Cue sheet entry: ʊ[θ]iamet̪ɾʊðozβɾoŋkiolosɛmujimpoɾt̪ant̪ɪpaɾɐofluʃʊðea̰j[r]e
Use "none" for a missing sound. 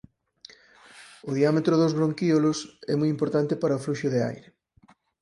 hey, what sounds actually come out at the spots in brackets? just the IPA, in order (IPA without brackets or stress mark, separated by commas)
ð, ɾ